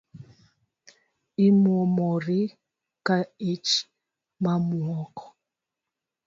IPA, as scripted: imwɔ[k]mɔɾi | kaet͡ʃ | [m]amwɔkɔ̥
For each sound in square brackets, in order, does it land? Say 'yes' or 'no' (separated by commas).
no, yes